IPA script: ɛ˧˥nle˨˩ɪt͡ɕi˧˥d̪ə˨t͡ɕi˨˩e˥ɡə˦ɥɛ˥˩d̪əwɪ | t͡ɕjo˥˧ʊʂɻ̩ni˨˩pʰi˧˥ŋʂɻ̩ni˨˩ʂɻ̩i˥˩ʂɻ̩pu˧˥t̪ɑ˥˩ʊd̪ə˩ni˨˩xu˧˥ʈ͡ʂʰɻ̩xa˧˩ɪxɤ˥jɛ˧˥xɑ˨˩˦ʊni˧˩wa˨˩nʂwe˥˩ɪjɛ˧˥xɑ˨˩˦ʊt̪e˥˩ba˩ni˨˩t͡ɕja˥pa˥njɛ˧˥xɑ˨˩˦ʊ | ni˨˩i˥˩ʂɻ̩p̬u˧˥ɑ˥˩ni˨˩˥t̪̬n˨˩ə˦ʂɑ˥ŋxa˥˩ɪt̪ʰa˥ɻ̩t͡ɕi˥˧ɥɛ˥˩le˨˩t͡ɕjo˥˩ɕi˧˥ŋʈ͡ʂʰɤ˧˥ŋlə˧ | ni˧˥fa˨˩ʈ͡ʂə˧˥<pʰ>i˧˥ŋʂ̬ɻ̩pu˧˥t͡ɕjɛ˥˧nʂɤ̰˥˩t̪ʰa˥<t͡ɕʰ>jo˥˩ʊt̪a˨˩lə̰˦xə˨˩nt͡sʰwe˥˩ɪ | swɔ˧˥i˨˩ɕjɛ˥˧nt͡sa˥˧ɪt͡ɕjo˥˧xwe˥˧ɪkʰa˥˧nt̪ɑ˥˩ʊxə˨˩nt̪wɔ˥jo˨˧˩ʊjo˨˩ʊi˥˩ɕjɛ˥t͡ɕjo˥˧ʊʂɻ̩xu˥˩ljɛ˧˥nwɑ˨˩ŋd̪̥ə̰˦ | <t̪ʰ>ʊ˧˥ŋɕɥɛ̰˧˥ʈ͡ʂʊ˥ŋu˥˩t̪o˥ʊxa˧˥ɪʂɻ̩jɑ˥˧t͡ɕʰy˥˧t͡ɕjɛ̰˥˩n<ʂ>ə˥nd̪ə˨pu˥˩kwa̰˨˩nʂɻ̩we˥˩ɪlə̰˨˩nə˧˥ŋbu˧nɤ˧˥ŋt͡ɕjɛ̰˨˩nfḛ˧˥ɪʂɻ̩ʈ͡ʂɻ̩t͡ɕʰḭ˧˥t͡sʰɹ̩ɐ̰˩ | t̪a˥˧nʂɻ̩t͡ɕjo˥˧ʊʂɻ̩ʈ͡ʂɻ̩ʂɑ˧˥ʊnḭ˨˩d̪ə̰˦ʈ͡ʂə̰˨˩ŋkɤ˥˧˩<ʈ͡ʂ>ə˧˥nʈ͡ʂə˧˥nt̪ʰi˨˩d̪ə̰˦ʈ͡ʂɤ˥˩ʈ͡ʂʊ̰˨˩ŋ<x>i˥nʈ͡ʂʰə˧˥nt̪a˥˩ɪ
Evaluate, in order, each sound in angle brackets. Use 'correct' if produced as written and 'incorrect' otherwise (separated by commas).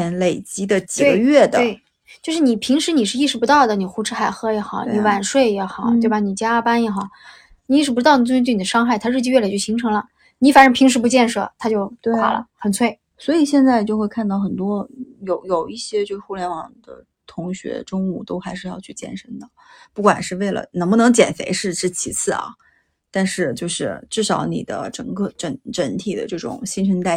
correct, incorrect, correct, correct, correct, incorrect